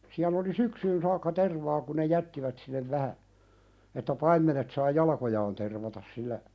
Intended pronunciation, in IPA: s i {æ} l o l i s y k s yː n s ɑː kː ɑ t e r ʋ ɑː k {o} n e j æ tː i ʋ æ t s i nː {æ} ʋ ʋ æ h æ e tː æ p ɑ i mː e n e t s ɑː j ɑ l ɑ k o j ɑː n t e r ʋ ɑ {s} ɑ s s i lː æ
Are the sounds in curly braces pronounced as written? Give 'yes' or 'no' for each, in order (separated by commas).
yes, no, no, no